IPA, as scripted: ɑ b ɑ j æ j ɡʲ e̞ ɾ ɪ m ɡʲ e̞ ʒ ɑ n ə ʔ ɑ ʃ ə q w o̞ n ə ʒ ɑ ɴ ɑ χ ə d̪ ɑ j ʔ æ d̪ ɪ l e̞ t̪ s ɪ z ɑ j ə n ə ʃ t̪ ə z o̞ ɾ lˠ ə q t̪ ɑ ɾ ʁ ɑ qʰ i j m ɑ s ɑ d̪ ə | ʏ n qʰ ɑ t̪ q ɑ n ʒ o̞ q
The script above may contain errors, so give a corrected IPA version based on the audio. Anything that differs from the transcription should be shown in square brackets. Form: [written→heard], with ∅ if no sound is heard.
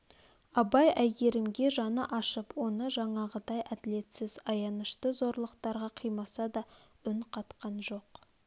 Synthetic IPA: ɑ b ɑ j æ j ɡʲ e̞ ɾ ɪ m ɡʲ e̞ ʒ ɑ n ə ʔ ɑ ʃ ə [q→p] w o̞ n ə ʒ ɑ ɴ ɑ [χ→ʁ] ə d̪ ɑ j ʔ æ d̪ ɪ l e̞ t̪ s ɪ z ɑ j [ə→ɑ] n ə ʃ t̪ ə z o̞ ɾ lˠ ə q t̪ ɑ ɾ ʁ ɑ qʰ i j m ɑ s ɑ d̪ [ə→ɑ] | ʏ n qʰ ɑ t̪ q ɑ n ʒ o̞ q